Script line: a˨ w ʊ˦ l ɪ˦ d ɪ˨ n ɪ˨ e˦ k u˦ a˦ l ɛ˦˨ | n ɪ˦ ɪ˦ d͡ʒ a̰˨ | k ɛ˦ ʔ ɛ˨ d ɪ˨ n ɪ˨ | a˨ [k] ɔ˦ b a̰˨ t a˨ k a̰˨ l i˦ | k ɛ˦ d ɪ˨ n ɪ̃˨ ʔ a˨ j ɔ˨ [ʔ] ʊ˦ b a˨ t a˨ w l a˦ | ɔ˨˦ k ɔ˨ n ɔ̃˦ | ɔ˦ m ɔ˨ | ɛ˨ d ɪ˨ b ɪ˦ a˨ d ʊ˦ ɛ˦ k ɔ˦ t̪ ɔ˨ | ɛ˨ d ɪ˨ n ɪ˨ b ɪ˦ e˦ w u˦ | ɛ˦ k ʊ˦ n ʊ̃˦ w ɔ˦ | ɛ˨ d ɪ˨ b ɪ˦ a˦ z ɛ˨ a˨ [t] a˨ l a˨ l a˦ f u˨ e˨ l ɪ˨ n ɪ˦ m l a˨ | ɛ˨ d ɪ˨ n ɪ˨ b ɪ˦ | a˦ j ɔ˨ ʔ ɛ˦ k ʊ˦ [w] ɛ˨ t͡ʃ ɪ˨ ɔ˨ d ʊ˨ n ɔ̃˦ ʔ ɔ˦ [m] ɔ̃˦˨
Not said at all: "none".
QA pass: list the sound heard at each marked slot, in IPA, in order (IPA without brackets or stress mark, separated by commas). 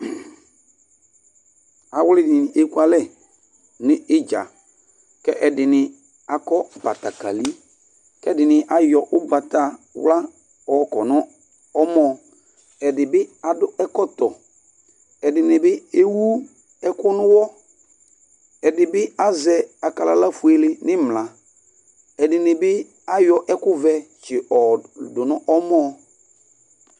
k, ʔ, k, v, m